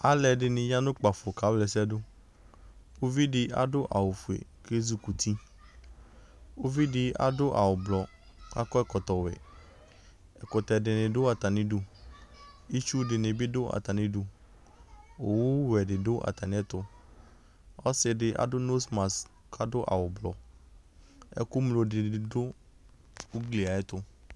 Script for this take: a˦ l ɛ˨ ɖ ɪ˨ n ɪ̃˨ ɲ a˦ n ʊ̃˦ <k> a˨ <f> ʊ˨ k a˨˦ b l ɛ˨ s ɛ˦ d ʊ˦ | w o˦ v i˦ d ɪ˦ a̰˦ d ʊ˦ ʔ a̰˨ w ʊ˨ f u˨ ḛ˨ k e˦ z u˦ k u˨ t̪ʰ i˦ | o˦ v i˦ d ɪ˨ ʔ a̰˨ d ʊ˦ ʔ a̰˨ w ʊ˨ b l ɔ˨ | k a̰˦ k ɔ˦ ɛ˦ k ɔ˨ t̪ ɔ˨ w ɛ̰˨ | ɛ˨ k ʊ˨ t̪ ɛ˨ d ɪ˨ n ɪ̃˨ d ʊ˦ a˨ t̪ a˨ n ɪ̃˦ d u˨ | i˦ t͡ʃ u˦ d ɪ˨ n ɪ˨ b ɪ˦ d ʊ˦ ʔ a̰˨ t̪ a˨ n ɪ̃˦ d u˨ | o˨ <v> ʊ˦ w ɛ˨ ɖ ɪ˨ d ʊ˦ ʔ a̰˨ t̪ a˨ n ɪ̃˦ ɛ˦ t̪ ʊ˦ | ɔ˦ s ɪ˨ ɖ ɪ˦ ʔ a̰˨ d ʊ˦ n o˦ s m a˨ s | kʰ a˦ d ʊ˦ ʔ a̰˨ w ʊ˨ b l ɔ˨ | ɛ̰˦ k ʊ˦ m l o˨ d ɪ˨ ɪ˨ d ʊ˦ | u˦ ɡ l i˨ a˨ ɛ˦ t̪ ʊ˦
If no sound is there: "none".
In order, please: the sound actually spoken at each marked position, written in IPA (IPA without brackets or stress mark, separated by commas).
k͡p, f, w